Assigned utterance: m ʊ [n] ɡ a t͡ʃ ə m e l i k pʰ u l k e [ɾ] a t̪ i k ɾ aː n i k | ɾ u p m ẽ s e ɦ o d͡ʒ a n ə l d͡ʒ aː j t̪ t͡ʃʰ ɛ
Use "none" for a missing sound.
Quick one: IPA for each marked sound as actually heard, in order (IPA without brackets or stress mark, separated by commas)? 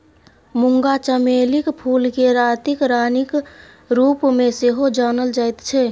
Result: ŋ, ɾ